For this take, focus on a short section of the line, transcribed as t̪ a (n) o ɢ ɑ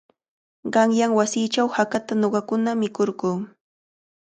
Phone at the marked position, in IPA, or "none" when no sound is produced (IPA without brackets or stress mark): n